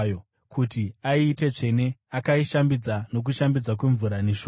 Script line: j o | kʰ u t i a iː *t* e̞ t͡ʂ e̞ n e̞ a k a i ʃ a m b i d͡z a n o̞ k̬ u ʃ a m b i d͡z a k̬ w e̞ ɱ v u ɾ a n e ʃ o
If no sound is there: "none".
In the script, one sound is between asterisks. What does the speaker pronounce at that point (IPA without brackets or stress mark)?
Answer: t